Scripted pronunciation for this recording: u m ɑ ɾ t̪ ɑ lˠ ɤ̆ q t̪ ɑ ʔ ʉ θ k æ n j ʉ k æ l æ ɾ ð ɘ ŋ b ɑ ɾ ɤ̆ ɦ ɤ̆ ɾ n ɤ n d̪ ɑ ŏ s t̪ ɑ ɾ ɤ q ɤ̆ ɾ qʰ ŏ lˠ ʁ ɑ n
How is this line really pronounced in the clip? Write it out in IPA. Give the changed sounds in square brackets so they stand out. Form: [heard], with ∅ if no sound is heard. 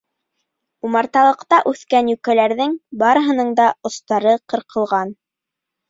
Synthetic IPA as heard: u m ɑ ɾ t̪ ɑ lˠ ɤ̆ q t̪ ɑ ʔ ʉ θ k æ n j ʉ k æ l æ ɾ ð ɘ ŋ b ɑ ɾ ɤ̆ ɦ ɤ̆ [∅] n ɤ [ɴ] d̪ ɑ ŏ s t̪ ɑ ɾ ɤ q ɤ̆ ɾ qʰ [ɤ̆] lˠ ʁ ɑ n